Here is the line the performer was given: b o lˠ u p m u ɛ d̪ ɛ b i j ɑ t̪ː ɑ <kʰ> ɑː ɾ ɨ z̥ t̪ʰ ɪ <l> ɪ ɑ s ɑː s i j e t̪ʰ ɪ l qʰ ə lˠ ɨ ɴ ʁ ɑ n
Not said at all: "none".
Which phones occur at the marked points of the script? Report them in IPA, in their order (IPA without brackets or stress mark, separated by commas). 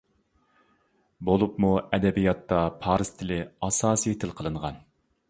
pʰ, l